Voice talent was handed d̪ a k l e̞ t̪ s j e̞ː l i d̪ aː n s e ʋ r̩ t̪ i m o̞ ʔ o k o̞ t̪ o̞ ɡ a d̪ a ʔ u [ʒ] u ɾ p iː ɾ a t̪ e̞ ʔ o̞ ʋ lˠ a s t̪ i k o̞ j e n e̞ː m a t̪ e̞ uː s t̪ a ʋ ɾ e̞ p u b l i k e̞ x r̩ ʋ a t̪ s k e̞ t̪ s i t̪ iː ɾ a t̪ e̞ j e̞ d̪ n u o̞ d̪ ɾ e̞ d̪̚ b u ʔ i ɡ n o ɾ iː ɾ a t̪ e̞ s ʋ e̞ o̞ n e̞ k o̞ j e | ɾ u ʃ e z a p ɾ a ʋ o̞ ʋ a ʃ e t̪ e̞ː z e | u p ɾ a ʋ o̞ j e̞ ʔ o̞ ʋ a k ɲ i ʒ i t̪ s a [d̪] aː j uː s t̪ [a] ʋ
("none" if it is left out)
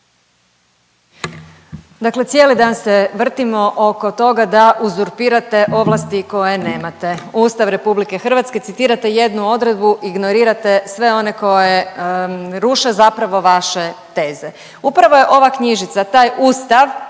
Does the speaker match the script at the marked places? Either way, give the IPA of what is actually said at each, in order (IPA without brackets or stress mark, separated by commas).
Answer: z, t̪, a